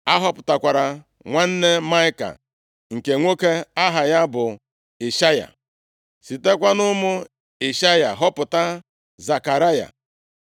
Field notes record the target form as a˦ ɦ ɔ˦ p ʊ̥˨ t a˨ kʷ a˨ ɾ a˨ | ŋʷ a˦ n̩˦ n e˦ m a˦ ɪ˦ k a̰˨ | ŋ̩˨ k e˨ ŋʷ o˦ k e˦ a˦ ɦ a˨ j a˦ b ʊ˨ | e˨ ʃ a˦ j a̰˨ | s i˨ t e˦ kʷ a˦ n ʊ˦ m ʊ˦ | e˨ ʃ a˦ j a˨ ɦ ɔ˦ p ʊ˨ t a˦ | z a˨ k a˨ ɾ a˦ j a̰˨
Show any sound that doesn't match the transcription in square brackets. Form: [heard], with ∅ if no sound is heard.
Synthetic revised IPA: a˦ ɦ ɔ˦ p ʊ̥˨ t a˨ kʷ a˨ ɾ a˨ | ŋʷ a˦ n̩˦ n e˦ m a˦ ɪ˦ k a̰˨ | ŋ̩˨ k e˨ ŋʷ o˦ k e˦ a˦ ɦ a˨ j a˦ b ʊ˨ | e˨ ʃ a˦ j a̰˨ | s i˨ t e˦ kʷ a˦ n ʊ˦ m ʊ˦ | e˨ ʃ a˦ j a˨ ɦ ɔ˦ p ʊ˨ t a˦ | z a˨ k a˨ ɾ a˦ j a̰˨

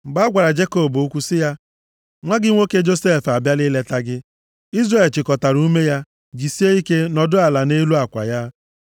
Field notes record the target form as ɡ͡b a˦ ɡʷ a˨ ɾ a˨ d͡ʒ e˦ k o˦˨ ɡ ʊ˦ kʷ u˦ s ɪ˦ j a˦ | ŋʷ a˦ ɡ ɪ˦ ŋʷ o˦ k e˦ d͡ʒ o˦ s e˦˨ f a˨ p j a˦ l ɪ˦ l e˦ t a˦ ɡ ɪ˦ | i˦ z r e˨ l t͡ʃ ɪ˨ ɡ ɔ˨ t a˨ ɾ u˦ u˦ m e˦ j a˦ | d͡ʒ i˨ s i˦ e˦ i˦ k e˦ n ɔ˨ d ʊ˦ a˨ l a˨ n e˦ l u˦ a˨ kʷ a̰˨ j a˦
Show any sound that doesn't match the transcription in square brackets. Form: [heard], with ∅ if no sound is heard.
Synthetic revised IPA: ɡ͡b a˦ ɡʷ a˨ ɾ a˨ d͡ʒ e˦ k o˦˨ [b] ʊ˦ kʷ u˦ s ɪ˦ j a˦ | ŋʷ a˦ ɡ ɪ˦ ŋʷ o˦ k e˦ d͡ʒ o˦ s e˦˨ f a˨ [b] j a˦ l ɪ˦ l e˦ t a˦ ɡ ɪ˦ | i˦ z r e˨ l t͡ʃ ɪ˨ [k] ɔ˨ t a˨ ɾ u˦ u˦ m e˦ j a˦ | d͡ʒ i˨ s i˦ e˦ i˦ k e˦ n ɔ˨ d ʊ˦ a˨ l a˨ n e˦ l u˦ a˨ kʷ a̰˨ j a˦

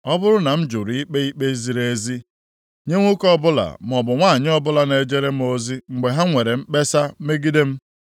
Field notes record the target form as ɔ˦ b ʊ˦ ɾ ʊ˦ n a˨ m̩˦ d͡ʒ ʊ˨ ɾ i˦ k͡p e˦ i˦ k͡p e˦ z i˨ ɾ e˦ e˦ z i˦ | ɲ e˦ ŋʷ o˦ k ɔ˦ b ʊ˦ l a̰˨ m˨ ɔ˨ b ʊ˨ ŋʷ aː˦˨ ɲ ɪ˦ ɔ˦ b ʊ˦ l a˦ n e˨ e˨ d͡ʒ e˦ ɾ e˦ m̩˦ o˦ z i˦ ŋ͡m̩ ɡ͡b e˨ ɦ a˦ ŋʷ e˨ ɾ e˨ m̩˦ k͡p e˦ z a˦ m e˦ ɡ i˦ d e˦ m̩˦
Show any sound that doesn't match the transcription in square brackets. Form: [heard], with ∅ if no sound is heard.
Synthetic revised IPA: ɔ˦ b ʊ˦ ɾ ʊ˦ n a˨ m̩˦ d͡ʒ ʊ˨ ɾ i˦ k͡p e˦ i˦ k͡p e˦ z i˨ ɾ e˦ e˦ z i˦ | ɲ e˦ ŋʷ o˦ k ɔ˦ b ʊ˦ l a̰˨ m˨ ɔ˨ b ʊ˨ ŋʷ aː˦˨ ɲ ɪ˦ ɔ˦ b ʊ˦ l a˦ n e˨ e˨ d͡ʒ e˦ ɾ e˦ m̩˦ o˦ z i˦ ŋ͡m̩ ɡ͡b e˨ ɦ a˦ ŋʷ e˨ ɾ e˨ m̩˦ k͡p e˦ [s] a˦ m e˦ ɡ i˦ d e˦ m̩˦

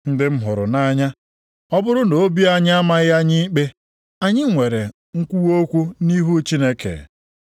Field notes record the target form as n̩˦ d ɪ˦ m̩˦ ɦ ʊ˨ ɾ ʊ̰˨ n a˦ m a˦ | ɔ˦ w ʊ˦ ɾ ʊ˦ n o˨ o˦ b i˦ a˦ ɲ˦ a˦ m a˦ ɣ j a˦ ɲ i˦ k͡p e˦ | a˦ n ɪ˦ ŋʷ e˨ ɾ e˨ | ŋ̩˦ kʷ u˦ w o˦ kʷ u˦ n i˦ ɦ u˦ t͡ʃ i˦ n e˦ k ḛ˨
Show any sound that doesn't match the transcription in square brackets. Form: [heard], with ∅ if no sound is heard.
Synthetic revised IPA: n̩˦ d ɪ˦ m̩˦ ɦ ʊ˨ ɾ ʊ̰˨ n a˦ [ɲ] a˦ | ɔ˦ [b] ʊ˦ ɾ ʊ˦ n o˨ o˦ b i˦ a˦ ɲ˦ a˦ m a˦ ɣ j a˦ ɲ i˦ k͡p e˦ | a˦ [ɲ] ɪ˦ ŋʷ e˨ ɾ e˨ | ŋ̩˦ kʷ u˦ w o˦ kʷ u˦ n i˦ ɦ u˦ t͡ʃ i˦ n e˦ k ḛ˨

